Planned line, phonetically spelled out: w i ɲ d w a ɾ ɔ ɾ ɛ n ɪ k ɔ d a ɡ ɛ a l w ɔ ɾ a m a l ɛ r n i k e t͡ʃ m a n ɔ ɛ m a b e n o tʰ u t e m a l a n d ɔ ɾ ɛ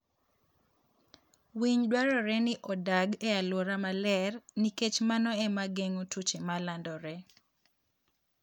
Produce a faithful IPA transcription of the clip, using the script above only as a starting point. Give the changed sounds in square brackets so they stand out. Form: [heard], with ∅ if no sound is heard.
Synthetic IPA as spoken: w i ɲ d w a ɾ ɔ ɾ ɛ n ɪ [ʔ] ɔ d a ɡ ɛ a l w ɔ ɾ a m a l ɛ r n i k e t͡ʃ m a n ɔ ɛ m a [ɡ] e [ŋ] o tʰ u [t͡ʃ] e m a l a n d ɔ ɾ ɛ